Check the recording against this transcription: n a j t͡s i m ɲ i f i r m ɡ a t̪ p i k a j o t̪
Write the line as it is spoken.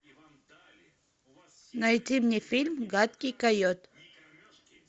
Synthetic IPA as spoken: n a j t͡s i m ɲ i f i l m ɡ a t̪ k i k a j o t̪